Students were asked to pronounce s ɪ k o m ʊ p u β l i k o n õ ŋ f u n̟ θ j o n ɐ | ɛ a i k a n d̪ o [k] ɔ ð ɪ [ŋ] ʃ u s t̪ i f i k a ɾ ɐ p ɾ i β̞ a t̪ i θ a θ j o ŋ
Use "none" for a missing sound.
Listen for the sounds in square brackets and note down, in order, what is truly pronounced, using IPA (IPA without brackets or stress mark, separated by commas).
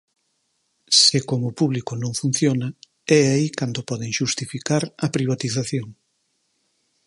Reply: p, ŋ